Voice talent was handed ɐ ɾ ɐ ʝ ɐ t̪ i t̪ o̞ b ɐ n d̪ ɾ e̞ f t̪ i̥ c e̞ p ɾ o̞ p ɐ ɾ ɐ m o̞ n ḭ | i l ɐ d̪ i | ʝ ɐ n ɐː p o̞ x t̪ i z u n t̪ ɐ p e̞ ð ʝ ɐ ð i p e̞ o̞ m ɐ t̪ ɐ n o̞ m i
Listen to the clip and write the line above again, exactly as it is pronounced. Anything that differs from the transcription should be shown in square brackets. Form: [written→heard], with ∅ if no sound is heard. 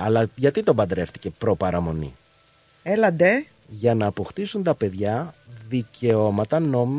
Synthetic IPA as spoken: ɐ [ɾ→l] ɐ ʝ ɐ t̪ i t̪ o̞ b ɐ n d̪ ɾ e̞ f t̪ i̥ c e̞ p ɾ o̞ p ɐ ɾ ɐ m o̞ n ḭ | [i→e] l ɐ d̪ [i→e] | ʝ ɐ n ɐː p o̞ x t̪ i [z→s] u n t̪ ɐ p e̞ ð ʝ ɐ ð i [p→c] e̞ o̞ m ɐ t̪ ɐ n o̞ m i